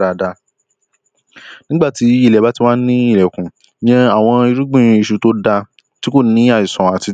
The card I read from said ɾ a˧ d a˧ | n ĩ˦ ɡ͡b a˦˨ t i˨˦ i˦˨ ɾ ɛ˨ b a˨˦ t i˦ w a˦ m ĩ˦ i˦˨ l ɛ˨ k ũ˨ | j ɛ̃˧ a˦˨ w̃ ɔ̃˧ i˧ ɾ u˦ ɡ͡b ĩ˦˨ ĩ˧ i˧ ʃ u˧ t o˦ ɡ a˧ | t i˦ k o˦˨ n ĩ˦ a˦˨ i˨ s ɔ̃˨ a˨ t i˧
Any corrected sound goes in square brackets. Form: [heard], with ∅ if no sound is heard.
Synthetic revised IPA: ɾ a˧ d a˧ | n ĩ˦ ɡ͡b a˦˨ t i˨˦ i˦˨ [l] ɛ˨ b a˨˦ t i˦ w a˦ [n] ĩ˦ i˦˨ l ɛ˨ k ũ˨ | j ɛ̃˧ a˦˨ w̃ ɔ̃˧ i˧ ɾ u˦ ɡ͡b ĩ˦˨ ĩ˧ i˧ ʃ u˧ t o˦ [d] a˧ | t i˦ k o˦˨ n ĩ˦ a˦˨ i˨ s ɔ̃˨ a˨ t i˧